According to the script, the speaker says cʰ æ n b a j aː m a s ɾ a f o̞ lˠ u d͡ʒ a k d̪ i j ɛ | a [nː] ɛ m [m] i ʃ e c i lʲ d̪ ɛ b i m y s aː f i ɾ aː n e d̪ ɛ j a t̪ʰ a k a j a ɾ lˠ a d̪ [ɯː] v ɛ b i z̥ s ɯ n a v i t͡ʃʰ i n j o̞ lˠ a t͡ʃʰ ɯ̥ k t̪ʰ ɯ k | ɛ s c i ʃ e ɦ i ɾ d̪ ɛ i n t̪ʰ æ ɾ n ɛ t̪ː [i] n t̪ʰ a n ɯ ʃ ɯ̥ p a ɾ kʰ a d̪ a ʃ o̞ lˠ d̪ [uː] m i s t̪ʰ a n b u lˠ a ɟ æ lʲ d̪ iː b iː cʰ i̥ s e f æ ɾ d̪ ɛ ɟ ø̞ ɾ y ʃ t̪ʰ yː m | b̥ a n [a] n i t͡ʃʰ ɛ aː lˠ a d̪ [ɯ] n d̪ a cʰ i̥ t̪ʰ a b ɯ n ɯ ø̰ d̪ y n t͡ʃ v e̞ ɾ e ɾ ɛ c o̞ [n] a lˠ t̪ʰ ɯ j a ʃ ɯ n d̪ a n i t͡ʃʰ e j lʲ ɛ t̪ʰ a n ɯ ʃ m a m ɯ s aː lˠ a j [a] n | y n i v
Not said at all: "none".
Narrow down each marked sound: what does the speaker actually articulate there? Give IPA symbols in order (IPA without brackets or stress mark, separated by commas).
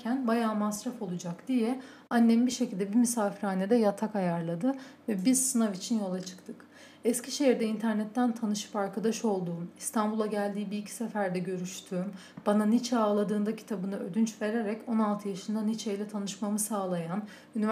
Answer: nː, b, ɯ, æ, uː, a, ɯː, n, a